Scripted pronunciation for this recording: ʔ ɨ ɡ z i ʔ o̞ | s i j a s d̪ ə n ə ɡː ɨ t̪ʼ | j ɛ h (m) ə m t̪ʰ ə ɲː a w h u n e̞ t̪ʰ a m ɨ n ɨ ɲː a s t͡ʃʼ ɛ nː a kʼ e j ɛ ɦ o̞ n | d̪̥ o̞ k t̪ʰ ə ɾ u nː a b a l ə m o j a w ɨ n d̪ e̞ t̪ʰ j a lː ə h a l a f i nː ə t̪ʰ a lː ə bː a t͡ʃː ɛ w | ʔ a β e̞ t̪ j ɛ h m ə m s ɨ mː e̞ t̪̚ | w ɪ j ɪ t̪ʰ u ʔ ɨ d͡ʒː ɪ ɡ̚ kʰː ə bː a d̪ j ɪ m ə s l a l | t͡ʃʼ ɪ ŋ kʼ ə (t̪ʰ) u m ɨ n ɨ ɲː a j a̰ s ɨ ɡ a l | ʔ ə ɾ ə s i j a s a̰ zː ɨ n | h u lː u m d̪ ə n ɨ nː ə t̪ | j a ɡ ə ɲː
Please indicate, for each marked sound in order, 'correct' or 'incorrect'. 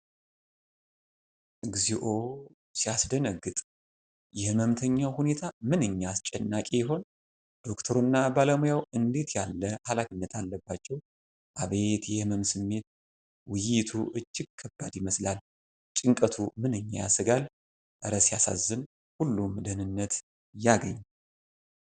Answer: correct, correct

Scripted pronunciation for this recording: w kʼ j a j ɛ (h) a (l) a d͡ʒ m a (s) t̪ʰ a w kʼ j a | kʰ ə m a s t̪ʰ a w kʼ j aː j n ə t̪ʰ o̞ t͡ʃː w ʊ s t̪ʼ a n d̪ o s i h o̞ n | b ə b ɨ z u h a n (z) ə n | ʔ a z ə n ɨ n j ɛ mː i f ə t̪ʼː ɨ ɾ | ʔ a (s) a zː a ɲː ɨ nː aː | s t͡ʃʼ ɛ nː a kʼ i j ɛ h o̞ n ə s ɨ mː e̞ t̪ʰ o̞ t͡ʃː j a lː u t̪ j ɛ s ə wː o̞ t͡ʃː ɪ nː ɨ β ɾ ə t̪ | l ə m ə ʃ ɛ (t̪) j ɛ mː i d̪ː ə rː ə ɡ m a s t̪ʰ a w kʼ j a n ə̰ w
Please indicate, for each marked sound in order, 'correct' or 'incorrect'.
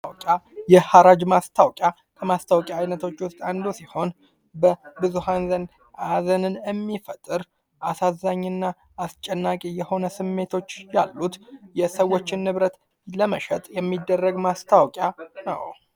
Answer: correct, incorrect, correct, correct, correct, incorrect

